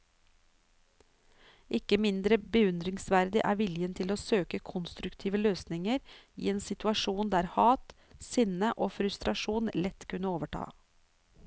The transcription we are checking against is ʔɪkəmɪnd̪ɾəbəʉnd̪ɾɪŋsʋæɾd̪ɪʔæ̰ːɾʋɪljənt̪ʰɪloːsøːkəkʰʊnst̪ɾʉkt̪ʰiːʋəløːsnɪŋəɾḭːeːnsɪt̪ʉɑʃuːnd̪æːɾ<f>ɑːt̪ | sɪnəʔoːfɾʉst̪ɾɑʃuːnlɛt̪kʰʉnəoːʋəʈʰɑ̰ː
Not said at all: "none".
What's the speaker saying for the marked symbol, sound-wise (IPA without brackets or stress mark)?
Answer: h